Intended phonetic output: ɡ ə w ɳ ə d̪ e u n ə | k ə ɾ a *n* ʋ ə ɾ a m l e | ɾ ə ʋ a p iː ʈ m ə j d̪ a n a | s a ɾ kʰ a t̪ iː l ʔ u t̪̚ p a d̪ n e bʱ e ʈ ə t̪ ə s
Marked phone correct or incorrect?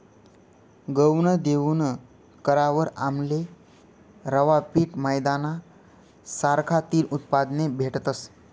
incorrect